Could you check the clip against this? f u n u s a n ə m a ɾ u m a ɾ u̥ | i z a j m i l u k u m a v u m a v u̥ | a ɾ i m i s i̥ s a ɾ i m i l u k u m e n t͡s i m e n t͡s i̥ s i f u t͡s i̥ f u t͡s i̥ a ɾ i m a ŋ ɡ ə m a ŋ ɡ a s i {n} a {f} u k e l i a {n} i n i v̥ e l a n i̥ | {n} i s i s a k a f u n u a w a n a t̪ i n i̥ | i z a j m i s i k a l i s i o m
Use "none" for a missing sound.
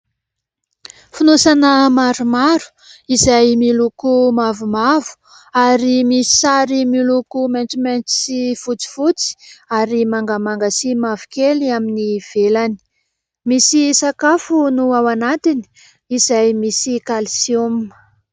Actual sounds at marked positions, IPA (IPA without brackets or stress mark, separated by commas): m, v, m, m